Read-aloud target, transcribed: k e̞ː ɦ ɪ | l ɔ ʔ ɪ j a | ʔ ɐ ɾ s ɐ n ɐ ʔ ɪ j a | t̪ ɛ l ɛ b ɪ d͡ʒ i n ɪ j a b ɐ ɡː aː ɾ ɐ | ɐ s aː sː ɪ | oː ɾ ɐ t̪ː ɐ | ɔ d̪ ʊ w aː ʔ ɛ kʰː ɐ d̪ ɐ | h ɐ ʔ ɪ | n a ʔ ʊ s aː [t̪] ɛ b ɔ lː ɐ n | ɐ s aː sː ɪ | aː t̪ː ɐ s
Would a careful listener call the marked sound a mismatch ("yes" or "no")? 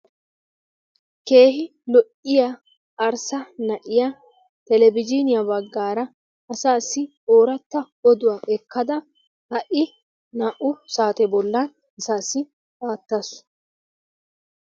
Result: no